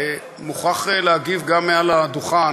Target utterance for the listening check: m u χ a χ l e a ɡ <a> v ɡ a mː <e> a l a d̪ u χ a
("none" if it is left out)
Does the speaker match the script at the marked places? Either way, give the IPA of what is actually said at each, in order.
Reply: i, e

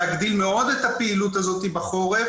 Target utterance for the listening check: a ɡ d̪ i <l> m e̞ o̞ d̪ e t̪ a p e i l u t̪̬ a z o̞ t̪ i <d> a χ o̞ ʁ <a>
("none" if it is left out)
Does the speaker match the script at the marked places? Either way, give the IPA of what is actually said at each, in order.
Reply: l, b, e

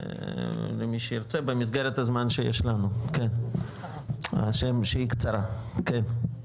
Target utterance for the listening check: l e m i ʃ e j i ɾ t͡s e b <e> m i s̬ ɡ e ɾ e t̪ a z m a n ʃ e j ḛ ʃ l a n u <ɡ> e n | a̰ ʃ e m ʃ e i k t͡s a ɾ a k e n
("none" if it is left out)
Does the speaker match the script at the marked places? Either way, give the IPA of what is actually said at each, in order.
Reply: e, k

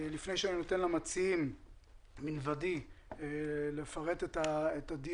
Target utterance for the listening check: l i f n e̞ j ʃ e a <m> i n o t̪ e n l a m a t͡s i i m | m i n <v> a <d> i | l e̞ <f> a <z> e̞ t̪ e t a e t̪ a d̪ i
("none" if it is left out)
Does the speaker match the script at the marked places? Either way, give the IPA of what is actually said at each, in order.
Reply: n, v, d, f, ʁ

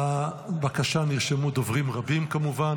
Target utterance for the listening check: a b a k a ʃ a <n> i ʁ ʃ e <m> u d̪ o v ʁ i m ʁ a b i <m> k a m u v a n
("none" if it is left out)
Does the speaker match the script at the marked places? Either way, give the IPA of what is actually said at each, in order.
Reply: n, m, m

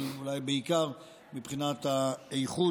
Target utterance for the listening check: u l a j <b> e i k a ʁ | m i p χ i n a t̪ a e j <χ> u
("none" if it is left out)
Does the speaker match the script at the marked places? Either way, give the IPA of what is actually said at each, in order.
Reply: b, χ

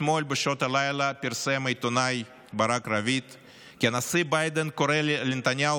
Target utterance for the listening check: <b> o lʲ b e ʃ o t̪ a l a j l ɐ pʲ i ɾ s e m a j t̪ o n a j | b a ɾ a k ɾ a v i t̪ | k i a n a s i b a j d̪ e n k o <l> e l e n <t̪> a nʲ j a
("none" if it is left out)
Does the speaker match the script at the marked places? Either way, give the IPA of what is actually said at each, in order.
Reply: m, ɾ, t̪

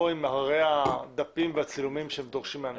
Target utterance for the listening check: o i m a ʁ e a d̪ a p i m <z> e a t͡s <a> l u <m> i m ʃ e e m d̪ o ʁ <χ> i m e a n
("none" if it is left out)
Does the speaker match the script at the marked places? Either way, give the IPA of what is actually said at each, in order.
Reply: v, i, m, ʃ

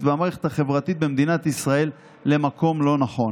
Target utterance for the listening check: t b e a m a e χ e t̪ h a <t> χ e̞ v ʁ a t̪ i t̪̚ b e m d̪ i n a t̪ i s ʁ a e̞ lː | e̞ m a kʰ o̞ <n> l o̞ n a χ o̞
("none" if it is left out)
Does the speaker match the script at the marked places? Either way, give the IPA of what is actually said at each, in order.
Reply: none, m

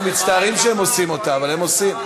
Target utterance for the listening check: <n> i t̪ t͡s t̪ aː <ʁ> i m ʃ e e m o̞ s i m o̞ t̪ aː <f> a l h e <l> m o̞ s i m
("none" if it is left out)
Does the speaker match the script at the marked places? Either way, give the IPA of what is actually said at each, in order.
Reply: m, ʁ, v, none

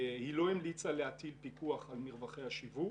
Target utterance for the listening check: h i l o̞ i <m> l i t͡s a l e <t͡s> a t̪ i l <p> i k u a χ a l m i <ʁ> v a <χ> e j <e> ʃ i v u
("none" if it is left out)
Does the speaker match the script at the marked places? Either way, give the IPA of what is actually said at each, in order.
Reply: m, none, p, ʁ, χ, a

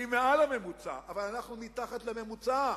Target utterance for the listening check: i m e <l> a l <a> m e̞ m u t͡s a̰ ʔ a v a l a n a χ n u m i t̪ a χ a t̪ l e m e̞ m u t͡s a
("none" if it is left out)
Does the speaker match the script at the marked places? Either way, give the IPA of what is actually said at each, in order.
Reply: none, a

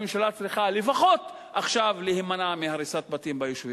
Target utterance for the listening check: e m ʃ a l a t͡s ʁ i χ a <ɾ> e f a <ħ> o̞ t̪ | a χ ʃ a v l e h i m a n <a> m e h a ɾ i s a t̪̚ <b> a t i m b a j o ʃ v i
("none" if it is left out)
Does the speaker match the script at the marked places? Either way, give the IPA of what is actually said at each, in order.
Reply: l, χ, a, b

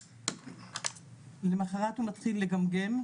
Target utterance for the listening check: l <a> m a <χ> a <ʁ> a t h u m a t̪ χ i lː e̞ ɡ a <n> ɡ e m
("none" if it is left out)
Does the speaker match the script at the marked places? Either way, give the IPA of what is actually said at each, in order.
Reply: e, χ, ʁ, m

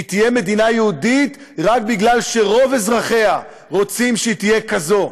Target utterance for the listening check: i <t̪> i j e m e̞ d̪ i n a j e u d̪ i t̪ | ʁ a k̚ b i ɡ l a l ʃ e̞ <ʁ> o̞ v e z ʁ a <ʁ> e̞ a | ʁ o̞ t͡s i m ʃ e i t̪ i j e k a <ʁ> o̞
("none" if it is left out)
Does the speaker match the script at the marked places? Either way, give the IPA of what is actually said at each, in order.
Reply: t̪, ʁ, χ, z

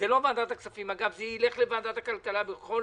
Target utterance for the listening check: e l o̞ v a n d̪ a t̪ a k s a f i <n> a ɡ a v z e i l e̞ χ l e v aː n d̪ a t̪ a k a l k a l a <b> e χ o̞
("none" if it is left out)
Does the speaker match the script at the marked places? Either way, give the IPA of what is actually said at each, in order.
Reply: m, b

